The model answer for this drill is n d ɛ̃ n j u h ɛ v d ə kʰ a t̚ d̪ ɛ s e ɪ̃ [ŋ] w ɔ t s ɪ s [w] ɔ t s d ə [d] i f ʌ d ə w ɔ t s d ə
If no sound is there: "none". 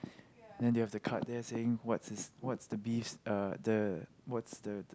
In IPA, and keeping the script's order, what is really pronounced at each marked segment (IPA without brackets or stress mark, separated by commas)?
ŋ, w, b